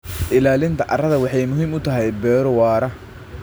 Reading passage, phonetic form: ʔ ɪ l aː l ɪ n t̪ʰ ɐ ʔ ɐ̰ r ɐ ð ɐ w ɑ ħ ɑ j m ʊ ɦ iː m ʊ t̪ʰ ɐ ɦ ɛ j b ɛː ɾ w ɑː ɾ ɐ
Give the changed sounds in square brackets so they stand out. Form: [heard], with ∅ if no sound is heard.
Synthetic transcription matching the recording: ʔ ɪ l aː l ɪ n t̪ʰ ɐ ʔ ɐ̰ r ɐ ð ɐ w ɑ ħ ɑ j m ʊ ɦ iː m ʊ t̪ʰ ɐ ɦ ɛ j b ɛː ɾ w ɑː ɾ ɐ